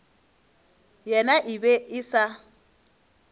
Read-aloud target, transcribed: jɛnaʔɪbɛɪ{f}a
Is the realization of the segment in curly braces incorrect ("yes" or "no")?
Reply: yes